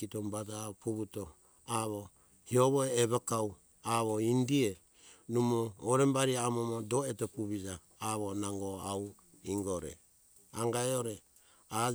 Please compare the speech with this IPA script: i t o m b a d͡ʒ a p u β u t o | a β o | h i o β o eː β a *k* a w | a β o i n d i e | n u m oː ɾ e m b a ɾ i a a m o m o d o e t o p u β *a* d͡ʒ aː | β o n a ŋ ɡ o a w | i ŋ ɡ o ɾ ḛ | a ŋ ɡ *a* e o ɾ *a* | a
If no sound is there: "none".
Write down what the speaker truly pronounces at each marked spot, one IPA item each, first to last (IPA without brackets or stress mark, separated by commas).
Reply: k, i, a, e